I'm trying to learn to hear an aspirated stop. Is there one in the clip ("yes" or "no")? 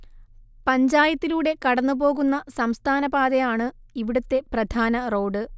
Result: yes